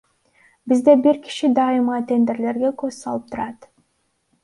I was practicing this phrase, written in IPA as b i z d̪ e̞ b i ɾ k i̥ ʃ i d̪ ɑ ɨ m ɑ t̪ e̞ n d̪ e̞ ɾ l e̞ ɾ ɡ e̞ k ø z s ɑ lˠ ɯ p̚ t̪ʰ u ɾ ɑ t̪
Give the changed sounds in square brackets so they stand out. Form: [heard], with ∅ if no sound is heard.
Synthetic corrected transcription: b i z d̪ e̞ b i ɾ k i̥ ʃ i d̪ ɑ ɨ m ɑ t̪ e̞ n d̪ e̞ ɾ l e̞ ɾ ɡ e̞ k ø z s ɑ lˠ ɯ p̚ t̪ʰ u ɾ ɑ t̪

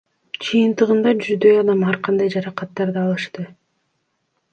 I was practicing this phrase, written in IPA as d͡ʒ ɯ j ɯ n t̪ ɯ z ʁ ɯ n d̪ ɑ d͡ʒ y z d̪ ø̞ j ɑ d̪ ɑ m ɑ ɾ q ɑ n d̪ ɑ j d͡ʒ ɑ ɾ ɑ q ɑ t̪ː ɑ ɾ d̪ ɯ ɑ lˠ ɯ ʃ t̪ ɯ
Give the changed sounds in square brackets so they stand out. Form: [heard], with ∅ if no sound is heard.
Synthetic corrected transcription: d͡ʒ ɯ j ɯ n t̪ ɯ [∅] ʁ ɯ n d̪ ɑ d͡ʒ y z d̪ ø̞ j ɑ d̪ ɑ m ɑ ɾ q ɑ n d̪ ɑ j d͡ʒ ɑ ɾ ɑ q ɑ t̪ː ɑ ɾ d̪ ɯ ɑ lˠ ɯ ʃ t̪ ɯ

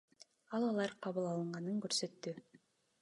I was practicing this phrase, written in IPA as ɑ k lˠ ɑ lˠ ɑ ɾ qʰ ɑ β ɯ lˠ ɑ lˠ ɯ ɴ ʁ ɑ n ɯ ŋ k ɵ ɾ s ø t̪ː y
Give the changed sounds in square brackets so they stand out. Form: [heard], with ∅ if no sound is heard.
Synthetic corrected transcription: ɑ [∅] lˠ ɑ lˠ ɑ ɾ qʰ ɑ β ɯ lˠ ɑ lˠ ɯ ɴ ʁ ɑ n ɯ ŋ k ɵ ɾ s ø t̪ː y

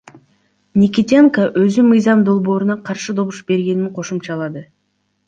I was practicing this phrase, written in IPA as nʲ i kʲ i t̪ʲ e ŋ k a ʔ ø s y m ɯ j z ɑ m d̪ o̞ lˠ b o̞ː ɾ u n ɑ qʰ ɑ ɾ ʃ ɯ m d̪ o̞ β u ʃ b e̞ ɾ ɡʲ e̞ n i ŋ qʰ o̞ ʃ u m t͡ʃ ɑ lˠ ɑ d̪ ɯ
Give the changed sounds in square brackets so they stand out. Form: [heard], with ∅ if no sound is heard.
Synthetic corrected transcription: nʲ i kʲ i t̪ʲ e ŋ k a ʔ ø [z] y m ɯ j z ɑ m d̪ o̞ lˠ b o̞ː ɾ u n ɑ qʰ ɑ ɾ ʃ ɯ [∅] d̪ o̞ β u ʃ b e̞ ɾ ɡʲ e̞ n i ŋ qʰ o̞ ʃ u m t͡ʃ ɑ lˠ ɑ d̪ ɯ

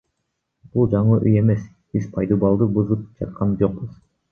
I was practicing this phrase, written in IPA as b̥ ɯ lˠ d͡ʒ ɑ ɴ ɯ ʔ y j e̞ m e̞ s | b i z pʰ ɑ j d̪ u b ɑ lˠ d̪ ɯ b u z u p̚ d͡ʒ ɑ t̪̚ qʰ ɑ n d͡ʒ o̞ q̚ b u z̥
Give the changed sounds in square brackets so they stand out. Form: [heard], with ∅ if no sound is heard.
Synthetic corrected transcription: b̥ [u] lˠ d͡ʒ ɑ ɴ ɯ ʔ y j e̞ m e̞ s | b i z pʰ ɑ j d̪ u b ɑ lˠ d̪ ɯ b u z [ɯ] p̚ d͡ʒ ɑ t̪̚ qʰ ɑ n d͡ʒ o̞ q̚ b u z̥

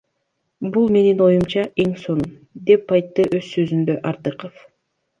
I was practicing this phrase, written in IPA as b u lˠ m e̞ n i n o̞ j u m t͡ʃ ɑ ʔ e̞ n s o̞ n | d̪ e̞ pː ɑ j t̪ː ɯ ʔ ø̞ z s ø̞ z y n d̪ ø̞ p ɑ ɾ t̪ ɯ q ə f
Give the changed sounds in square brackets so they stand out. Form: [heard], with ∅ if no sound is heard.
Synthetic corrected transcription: b u lˠ m e̞ n i n o̞ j u m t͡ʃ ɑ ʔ e̞ [ŋ] s o̞ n | d̪ e̞ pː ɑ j t̪ː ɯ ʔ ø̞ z s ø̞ z y n d̪ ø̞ [ʔ] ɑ ɾ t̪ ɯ q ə f

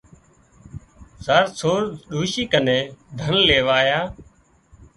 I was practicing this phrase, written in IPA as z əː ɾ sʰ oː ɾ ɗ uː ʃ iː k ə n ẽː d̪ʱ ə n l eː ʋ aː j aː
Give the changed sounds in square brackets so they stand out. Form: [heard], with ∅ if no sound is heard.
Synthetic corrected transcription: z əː ɾ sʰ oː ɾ ɗ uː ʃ iː k ə n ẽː d̪ʱ ə n l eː ʋ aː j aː

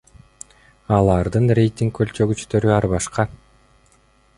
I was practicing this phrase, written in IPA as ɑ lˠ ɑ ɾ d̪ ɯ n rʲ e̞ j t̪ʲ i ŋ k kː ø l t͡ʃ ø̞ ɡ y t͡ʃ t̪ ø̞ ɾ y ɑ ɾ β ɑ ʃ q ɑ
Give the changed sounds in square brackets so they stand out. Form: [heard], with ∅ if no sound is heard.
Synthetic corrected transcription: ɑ lˠ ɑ ɾ d̪ ɯ n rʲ e̞ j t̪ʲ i ŋ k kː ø l t͡ʃ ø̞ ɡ y t͡ʃ t̪ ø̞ ɾ y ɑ ɾ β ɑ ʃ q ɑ

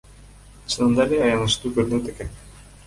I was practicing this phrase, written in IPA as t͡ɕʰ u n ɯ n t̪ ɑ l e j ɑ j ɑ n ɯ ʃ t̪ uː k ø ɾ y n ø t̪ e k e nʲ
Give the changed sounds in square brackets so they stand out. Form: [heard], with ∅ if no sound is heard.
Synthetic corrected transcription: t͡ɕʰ [ɯ] n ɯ n [d̪] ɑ l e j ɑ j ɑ n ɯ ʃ t̪ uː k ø ɾ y n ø t̪ e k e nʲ

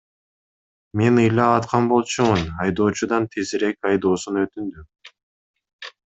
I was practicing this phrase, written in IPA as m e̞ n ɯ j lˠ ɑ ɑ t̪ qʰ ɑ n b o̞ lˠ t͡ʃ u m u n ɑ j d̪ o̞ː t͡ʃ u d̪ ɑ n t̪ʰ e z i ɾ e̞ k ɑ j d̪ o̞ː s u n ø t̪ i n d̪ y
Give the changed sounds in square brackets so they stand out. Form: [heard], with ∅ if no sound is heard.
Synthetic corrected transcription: m e̞ n ɯ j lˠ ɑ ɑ t̪ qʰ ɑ n b o̞ lˠ t͡ʃ u m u n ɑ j d̪ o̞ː t͡ʃ u d̪ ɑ n t̪ʰ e z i ɾ e̞ k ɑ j d̪ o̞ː s u n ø t̪ [y] n d̪ y

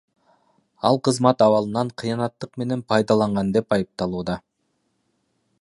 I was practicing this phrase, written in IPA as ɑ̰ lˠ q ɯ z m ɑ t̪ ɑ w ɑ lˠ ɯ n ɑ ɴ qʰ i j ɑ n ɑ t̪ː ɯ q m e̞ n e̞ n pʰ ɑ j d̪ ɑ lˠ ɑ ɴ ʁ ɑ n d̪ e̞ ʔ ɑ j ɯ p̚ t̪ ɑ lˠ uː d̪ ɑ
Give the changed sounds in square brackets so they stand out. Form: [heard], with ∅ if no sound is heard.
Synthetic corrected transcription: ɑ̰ lˠ q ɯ z m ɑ t̪ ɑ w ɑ lˠ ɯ n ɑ ɴ qʰ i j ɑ n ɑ t̪ː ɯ q m e̞ n e̞ n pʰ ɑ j d̪ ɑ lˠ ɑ ɴ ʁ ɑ n d̪ e̞ [p] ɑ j ɯ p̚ t̪ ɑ lˠ uː d̪ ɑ

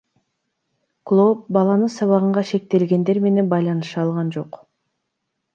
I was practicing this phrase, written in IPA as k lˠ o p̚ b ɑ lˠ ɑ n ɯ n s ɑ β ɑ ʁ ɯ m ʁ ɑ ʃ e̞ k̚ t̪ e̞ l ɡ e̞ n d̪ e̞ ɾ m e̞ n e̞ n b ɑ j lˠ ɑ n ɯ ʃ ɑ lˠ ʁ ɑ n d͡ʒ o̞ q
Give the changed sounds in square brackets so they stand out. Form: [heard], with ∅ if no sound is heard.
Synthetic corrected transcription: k lˠ o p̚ b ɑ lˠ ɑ n ɯ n s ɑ β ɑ ʁ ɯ [ɴ] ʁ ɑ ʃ e̞ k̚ t̪ e̞ l ɡ e̞ n d̪ e̞ ɾ m e̞ n e̞ n b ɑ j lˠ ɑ n ɯ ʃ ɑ lˠ ʁ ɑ n d͡ʒ o̞ q

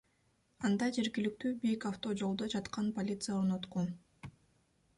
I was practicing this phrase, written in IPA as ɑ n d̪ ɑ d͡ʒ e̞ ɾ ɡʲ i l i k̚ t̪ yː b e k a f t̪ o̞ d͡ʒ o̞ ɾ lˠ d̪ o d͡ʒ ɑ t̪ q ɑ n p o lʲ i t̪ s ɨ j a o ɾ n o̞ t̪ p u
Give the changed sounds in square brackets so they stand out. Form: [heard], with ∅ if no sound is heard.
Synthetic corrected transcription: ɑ n d̪ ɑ d͡ʒ e̞ ɾ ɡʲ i l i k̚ t̪ yː b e k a f t̪ o̞ d͡ʒ o̞ [∅] lˠ d̪ o d͡ʒ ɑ t̪ q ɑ n p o lʲ i t̪ s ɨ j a o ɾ n o̞ t̪ [q] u

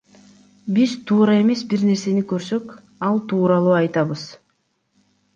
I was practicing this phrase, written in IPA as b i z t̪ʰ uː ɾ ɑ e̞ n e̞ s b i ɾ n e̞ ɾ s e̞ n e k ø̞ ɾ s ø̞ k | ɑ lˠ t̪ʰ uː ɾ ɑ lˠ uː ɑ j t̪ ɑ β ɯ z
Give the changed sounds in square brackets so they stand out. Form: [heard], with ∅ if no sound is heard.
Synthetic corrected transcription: b i z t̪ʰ uː ɾ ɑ e̞ [m] e̞ s b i ɾ n e̞ ɾ s e̞ n [i] k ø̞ ɾ s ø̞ k | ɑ lˠ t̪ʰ uː ɾ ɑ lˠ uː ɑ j t̪ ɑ β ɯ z

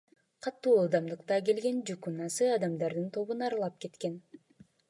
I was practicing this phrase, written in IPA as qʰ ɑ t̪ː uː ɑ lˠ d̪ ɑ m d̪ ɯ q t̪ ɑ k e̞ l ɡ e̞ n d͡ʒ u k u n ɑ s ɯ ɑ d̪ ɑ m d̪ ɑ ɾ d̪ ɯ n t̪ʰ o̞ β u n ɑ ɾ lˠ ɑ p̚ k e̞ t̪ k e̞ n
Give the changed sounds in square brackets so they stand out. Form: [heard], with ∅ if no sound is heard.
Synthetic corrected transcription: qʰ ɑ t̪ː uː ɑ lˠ d̪ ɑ m d̪ ɯ q t̪ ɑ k e̞ l ɡ e̞ n d͡ʒ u k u n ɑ s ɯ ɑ d̪ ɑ m d̪ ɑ ɾ d̪ ɯ n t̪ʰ o̞ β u n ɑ ɾ lˠ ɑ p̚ k e̞ t̪ k e̞ n

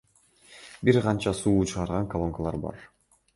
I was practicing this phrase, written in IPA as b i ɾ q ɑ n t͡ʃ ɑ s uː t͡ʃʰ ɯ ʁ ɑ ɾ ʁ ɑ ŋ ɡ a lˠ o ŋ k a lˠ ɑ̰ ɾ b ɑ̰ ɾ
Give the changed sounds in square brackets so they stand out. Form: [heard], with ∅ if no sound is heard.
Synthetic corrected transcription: b i ɾ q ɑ n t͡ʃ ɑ s uː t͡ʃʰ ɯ ʁ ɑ ɾ ʁ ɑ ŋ [k] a lˠ o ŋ k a lˠ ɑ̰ ɾ b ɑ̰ ɾ

